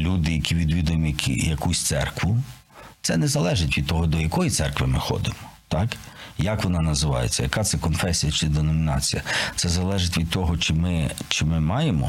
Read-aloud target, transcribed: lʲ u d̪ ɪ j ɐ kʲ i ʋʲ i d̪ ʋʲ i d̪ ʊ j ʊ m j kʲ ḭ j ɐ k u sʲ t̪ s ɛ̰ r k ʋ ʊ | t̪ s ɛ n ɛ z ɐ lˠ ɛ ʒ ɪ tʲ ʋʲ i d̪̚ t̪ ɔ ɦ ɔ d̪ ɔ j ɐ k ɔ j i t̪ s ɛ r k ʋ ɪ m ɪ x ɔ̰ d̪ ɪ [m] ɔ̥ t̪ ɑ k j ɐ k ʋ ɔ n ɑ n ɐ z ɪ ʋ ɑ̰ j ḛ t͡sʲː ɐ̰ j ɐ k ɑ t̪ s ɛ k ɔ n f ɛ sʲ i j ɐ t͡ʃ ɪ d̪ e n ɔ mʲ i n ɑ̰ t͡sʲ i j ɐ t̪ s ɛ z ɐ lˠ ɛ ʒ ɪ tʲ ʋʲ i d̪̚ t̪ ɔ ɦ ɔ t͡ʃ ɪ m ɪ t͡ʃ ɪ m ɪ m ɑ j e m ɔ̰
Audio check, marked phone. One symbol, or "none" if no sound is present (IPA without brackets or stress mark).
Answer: m